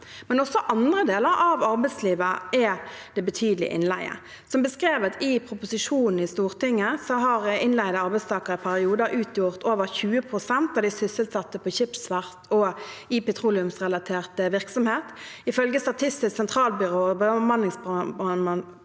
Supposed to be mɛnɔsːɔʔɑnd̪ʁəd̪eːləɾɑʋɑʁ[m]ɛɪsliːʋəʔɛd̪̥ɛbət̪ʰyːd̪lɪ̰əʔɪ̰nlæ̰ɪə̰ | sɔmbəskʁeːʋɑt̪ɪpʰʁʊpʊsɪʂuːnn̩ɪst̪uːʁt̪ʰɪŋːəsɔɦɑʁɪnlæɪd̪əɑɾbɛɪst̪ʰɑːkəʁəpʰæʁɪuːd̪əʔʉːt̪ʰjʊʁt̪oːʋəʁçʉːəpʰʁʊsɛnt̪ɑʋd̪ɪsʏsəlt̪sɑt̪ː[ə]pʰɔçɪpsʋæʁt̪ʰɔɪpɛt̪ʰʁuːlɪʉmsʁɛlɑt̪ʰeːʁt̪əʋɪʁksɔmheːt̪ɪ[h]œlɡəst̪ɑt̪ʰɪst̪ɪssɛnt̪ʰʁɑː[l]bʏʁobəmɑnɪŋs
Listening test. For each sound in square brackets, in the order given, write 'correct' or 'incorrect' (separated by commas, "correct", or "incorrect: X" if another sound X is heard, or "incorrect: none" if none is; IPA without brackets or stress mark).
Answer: incorrect: b, correct, incorrect: f, correct